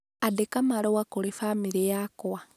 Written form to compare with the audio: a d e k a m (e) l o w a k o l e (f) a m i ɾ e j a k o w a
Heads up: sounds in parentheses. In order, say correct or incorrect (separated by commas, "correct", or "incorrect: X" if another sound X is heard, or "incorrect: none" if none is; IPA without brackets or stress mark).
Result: incorrect: a, correct